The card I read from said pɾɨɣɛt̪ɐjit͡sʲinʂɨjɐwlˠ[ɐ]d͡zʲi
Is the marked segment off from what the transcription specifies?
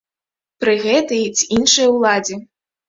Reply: yes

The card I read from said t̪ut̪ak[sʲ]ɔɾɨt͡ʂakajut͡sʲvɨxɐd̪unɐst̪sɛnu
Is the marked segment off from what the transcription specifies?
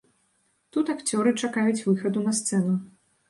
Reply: yes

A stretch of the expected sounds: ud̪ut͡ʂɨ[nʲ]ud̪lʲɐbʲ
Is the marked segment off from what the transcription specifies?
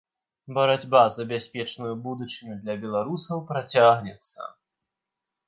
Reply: no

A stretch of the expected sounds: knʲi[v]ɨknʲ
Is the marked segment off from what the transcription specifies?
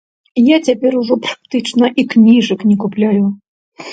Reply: yes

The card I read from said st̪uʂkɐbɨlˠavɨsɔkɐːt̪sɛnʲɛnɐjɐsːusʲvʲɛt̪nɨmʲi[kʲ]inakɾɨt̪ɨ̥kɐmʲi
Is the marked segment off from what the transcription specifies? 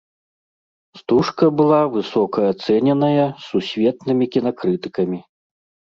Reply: no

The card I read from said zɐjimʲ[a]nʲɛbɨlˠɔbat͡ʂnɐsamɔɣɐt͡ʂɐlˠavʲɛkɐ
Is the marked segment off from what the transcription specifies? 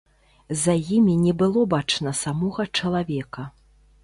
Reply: yes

